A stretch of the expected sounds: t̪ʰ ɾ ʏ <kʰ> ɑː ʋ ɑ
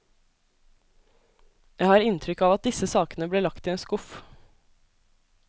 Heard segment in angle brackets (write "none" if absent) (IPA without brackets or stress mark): k